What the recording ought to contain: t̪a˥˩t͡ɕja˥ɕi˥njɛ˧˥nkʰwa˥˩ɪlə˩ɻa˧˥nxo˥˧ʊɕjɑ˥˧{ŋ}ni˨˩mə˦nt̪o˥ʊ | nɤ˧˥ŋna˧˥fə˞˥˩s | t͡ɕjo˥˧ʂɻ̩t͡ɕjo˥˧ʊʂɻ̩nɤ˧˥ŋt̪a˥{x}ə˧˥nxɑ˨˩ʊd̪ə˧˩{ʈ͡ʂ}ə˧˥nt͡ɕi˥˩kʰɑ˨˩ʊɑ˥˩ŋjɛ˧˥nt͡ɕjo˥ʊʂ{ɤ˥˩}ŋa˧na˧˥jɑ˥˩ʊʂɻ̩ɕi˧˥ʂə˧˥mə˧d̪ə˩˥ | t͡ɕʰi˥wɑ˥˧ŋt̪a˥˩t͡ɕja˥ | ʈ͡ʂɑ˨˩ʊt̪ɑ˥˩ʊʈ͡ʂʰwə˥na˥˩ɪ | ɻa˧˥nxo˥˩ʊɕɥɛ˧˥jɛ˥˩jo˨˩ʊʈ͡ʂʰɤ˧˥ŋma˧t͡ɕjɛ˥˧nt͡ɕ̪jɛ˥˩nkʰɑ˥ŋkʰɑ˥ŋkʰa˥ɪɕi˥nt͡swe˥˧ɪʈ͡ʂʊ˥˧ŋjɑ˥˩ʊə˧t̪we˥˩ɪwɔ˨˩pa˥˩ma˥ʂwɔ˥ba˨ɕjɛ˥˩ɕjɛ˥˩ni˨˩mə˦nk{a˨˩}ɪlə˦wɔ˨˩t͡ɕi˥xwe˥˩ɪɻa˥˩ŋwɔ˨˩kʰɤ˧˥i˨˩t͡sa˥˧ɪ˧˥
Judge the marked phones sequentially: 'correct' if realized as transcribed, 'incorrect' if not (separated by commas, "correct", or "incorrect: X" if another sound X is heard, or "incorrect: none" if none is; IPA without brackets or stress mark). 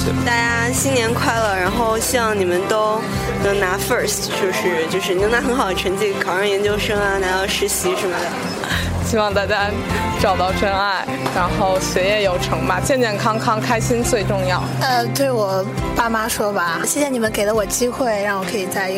correct, correct, incorrect: ʈ͡ʂʰ, incorrect: ɤ˥, incorrect: e˨˩